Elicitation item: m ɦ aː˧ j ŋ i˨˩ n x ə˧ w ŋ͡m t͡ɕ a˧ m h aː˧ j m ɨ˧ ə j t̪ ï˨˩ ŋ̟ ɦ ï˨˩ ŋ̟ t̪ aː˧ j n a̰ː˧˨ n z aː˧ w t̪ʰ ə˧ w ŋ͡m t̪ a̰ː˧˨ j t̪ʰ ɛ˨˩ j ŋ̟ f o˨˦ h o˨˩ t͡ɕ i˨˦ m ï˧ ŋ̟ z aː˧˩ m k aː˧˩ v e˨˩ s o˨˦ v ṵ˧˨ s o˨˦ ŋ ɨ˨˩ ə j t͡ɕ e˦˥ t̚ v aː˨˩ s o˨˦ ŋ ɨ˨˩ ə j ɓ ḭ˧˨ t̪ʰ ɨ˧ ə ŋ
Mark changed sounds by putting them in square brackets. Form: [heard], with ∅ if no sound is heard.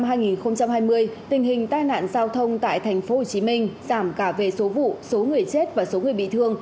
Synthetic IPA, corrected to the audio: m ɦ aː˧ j ŋ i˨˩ n x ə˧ w ŋ͡m t͡ɕ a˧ m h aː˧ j m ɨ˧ ə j t̪ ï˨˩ ŋ̟ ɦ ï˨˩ ŋ̟ t̪ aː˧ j n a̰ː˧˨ n z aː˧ w t̪ʰ ə˧ w ŋ͡m t̪ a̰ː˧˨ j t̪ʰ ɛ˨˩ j ŋ̟ f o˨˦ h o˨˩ t͡ɕ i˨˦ m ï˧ ŋ̟ z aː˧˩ m k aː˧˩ v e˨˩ s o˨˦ v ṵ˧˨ s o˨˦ ŋ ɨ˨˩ ə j t͡ɕ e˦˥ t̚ v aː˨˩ s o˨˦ ŋ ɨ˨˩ ə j ɓ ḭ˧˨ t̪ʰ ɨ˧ ə ŋ